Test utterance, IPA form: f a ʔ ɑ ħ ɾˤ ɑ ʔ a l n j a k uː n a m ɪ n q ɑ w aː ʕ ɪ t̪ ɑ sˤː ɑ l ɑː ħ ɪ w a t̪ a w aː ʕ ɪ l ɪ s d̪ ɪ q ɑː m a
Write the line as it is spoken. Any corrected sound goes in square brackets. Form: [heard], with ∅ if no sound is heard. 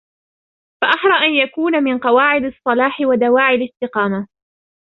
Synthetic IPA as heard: f a ʔ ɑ ħ ɾˤ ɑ ʔ a [∅] n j a k uː n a m ɪ n q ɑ w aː ʕ ɪ [d̪] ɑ sˤː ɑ l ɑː ħ ɪ w a [d̪] a w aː ʕ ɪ l ɪ s [t̪] ɪ q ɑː m a